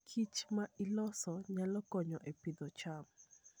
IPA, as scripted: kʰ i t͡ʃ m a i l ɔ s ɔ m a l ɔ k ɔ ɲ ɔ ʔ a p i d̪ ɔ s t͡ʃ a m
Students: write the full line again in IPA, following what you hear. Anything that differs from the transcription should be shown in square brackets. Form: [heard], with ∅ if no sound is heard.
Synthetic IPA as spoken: kʰ i t͡ʃ m a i l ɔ s ɔ [ɲ] a l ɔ k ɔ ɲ ɔ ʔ [e] p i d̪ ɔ [∅] t͡ʃ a m